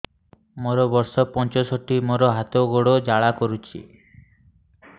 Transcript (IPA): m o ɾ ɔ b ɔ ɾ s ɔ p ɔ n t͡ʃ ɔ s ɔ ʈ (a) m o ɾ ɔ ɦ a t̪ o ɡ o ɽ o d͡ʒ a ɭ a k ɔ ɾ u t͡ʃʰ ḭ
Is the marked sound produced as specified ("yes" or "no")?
no